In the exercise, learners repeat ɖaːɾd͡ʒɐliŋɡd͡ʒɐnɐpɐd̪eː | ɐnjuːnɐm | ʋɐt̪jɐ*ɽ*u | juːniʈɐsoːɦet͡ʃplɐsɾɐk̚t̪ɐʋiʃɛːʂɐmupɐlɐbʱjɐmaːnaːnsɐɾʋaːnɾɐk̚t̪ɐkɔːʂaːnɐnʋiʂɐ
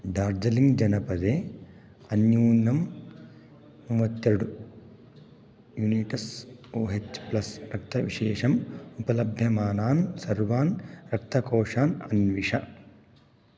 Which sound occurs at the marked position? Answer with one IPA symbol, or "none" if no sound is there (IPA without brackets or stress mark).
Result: ɽ